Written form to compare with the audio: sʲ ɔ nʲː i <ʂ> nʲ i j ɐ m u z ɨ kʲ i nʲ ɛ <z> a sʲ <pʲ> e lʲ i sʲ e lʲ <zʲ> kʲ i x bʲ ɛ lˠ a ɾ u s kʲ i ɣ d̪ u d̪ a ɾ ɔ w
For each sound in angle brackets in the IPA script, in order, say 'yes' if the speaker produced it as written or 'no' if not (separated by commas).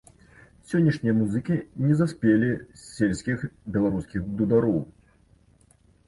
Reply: yes, yes, yes, no